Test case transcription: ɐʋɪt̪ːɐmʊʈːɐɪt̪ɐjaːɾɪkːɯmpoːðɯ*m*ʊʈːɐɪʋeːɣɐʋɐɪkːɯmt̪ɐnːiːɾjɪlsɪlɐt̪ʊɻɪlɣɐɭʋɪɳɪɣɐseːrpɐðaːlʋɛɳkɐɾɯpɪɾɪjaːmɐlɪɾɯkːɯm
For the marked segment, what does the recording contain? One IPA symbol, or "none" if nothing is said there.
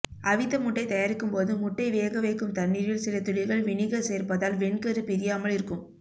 m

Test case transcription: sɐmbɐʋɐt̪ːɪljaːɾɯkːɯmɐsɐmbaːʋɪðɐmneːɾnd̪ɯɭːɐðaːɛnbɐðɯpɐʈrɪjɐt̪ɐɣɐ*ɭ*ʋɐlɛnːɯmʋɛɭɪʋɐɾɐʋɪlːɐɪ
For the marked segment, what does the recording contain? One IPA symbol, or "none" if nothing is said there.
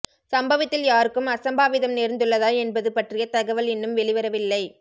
none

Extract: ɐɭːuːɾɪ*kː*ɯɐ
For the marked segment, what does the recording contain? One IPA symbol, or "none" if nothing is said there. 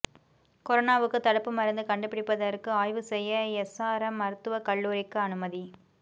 kː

